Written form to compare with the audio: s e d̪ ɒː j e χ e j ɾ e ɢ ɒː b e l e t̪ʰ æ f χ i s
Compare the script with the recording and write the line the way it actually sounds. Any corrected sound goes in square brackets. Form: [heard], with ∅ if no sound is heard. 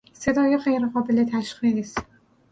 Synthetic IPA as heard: s e d̪ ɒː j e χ e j ɾ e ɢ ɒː b e l e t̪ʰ æ [ʃ] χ i s